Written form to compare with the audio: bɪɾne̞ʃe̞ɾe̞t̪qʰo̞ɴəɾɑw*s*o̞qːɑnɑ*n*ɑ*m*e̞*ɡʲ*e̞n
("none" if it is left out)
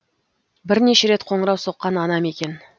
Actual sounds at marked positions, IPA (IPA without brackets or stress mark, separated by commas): s, n, m, kʲ